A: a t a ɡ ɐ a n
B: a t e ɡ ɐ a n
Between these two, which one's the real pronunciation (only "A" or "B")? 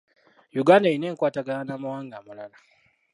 A